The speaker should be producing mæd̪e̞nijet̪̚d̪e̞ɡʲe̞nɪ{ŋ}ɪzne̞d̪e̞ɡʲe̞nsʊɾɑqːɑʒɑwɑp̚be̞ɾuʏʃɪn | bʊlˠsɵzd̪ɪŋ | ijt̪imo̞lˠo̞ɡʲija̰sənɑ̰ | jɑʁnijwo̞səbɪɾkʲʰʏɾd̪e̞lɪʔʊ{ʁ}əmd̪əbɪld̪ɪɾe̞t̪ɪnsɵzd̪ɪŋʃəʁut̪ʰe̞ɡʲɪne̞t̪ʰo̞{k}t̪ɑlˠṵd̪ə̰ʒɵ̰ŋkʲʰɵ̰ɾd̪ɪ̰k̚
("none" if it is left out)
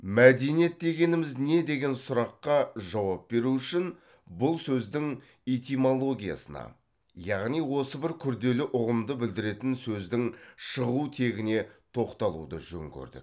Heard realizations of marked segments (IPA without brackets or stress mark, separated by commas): m, ʁ, q